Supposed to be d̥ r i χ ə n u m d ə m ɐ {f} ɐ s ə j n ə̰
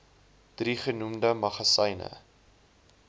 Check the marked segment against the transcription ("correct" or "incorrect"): incorrect